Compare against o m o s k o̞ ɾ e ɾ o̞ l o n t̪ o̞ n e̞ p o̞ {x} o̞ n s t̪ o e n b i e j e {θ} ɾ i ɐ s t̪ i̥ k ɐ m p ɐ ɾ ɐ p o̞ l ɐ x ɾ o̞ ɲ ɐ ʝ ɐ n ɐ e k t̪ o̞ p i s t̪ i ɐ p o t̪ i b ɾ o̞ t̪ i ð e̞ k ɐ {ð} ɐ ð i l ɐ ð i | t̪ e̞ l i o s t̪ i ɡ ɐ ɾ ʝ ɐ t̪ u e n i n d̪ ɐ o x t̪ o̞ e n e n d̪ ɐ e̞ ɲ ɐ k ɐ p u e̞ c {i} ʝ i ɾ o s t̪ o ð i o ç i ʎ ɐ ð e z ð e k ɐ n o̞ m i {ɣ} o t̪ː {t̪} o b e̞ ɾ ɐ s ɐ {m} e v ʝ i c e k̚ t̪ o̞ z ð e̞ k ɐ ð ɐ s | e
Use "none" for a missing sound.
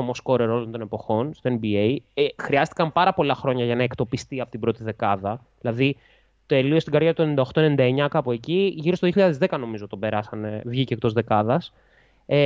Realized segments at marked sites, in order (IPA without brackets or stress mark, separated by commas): x, x, ð, i, z, t̪, n